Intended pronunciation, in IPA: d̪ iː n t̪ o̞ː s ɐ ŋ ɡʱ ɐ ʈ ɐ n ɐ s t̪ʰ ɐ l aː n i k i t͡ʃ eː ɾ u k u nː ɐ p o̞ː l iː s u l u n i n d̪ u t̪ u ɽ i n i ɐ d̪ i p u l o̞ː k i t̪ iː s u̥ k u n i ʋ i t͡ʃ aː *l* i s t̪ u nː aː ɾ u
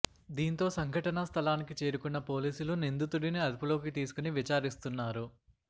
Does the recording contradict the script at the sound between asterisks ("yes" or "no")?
yes